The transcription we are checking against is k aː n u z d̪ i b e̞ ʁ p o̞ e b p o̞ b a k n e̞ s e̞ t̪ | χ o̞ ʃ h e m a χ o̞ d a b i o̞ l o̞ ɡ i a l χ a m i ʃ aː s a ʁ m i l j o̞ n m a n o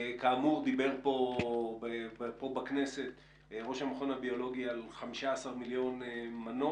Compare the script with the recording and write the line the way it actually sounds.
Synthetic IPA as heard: k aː m u ʁ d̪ i b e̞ ʁ p o̞ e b p o̞ b a k n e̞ s e̞ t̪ | ʁ o̞ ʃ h a m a χ o̞ n a b i o̞ l o̞ ɡ i a l χ a m i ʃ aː s a ʁ m i l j o̞ n m a n o